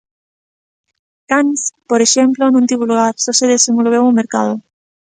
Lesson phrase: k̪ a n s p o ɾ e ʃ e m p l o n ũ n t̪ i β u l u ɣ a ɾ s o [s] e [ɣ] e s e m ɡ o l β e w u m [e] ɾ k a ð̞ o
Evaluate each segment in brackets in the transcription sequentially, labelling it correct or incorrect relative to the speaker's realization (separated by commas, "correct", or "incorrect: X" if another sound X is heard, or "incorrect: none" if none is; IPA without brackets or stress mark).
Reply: correct, incorrect: ð, correct